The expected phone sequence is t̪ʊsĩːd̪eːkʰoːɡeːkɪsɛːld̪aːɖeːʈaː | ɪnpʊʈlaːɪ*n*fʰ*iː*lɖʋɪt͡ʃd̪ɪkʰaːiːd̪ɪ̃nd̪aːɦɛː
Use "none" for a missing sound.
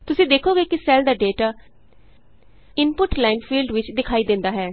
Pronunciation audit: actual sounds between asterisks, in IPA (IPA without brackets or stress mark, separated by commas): n, iː